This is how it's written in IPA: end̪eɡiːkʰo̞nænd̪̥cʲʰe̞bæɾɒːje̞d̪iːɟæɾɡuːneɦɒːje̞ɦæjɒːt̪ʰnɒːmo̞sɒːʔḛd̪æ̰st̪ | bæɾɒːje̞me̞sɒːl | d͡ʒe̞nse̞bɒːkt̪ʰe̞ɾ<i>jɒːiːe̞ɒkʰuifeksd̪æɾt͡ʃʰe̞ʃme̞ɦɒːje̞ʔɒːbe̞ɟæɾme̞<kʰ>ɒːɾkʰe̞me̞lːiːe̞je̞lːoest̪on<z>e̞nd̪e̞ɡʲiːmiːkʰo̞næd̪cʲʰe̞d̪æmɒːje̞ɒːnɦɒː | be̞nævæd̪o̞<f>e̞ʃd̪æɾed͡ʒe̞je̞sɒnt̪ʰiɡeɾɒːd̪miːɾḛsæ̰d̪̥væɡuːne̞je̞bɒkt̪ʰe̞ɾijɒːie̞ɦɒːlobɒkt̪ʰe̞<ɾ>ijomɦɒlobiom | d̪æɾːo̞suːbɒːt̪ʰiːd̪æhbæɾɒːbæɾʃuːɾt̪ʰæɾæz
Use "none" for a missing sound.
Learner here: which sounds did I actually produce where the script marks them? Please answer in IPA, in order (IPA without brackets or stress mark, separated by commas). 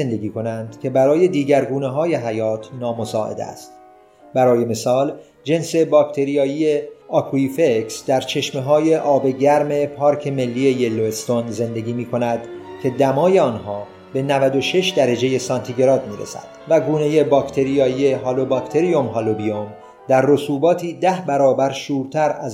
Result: i, pʰ, z, ʃ, ɾ